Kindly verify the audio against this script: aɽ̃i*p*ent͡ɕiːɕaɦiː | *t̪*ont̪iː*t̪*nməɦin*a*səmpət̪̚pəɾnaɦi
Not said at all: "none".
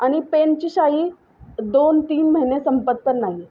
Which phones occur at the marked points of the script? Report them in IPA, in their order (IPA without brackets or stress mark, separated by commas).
p, d̪, none, e